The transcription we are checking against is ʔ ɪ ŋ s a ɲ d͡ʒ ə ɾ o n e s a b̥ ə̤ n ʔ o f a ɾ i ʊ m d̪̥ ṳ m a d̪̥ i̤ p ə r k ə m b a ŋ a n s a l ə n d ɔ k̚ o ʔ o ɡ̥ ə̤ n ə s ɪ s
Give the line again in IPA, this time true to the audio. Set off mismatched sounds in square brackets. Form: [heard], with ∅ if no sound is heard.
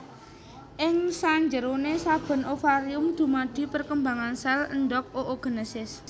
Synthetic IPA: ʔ ɪ ŋ s a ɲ d͡ʒ ə ɾ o n e s a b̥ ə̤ n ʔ o f a ɾ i ʊ m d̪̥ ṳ m a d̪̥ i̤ p ə r k ə m b a ŋ a n s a l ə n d ɔ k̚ o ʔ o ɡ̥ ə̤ n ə s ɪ s

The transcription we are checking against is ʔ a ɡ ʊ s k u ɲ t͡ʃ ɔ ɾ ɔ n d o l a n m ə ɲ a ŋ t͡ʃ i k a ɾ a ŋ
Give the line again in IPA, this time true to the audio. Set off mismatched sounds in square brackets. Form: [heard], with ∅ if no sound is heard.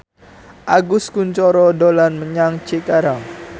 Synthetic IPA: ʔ a ɡ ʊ s k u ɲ t͡ʃ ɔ ɾ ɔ [∅] d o l a n m ə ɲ a ŋ t͡ʃ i k a ɾ a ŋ

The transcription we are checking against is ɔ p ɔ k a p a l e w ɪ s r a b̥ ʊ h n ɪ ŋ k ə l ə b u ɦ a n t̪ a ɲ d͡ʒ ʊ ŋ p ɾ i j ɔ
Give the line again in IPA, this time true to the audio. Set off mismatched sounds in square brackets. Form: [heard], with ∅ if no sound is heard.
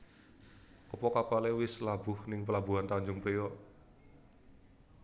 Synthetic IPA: ɔ p ɔ k a p a l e w ɪ s [l] a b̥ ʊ h n ɪ ŋ [p] ə l [a] b u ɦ a n t̪ a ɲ d͡ʒ ʊ ŋ p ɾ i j ɔ

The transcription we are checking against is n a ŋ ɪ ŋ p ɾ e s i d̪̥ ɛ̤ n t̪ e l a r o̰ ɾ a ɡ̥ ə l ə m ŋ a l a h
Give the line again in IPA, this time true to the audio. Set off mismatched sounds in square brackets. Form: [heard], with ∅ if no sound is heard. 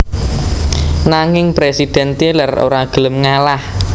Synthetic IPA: n a ŋ ɪ ŋ p ɾ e s i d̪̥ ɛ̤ n t̪ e l a r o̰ ɾ a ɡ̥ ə l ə m ŋ a l a h

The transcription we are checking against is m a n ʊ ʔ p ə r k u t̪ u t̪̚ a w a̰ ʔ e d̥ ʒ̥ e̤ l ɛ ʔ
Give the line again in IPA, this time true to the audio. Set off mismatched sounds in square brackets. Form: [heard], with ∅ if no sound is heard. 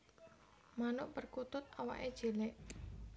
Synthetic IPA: m a n ʊ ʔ p ə r k u t̪ [ʊ] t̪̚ a w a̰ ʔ e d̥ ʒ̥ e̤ l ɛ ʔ

